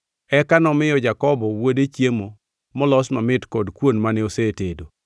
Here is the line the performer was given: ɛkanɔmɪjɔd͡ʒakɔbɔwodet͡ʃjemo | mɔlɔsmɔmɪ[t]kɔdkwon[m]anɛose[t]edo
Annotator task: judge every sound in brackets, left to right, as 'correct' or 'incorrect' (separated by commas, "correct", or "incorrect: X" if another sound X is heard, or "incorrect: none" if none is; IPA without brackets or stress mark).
correct, correct, correct